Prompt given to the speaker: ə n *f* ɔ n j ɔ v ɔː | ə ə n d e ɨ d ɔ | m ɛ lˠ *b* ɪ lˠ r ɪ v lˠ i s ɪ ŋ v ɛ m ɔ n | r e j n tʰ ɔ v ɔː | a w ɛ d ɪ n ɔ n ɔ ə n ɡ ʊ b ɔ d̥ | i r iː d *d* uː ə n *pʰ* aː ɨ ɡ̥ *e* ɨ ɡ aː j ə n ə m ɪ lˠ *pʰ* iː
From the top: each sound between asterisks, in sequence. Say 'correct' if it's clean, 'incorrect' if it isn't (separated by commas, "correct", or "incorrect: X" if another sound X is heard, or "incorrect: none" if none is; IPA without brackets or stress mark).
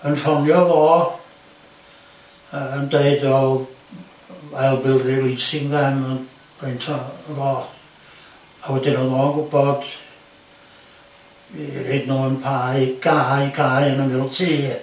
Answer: correct, correct, incorrect: n, correct, incorrect: a, incorrect: tʰ